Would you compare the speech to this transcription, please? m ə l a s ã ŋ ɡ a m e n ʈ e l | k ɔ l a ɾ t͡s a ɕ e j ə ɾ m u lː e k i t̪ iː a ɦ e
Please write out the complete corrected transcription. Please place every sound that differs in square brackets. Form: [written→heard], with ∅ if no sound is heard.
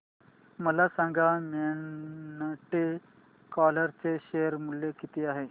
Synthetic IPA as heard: m ə l a s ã ŋ ɡ a m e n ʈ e [l→∅] | k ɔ l [a→ə] ɾ t͡s [a→e] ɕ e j ə ɾ m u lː e k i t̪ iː a ɦ e